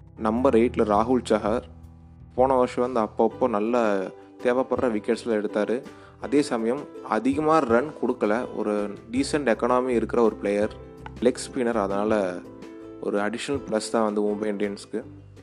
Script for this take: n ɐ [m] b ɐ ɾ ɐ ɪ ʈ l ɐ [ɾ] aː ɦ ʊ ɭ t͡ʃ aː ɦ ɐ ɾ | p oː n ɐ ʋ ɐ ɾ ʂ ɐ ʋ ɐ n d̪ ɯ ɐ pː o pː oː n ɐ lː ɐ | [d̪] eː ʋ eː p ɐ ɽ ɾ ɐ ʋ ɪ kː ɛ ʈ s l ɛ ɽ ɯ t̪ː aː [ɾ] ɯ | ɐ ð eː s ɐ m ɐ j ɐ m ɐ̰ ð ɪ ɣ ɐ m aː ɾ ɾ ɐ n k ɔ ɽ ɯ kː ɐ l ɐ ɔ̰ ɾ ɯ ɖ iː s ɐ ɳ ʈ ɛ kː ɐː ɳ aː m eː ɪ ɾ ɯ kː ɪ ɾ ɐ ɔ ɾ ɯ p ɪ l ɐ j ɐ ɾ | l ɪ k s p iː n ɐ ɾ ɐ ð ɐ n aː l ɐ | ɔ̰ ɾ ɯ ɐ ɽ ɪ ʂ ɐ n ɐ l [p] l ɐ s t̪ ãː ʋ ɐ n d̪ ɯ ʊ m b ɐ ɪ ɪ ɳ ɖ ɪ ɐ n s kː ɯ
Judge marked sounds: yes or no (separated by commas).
yes, yes, no, yes, yes